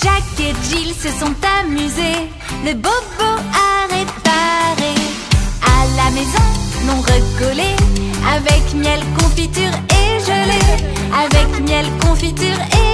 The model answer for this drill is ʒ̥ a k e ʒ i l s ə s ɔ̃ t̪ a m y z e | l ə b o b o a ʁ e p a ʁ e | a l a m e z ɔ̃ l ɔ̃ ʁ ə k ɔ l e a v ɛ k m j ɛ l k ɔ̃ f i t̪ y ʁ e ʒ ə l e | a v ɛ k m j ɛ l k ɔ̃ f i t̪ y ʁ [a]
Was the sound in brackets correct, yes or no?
no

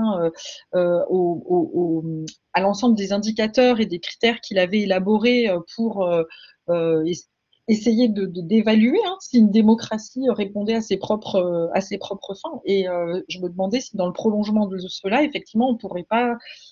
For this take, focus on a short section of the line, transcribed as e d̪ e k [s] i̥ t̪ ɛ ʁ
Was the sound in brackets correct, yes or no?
no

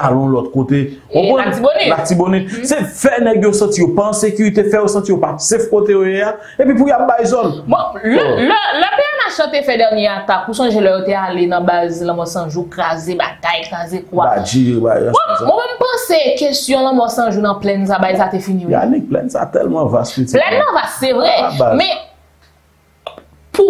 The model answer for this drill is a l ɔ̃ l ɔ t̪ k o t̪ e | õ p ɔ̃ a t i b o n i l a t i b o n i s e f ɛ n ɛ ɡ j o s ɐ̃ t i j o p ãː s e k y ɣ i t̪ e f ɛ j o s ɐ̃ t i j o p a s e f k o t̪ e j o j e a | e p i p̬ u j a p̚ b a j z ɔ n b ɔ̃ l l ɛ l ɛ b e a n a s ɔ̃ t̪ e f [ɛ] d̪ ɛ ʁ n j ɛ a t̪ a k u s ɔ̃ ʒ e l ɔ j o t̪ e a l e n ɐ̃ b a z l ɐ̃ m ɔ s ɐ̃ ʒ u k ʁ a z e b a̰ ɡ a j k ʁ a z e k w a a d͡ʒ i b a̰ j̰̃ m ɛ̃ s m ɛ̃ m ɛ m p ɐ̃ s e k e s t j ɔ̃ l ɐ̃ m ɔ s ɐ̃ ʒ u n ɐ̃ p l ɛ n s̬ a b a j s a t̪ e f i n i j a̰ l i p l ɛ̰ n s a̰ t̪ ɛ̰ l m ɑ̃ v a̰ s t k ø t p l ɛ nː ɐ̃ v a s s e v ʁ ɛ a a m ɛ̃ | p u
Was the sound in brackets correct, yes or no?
yes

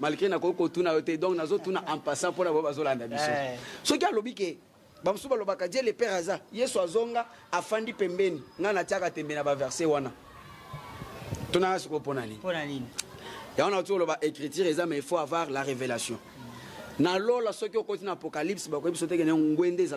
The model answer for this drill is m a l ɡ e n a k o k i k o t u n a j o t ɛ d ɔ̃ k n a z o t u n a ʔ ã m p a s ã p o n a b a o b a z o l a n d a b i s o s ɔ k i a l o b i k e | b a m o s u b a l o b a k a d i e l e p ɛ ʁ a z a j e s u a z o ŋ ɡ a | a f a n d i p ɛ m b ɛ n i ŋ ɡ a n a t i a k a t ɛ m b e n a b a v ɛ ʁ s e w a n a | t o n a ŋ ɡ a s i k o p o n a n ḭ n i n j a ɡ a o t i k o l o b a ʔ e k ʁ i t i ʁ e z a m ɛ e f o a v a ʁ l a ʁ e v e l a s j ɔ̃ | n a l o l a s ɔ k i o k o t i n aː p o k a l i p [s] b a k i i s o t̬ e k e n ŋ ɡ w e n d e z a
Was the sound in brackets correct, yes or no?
yes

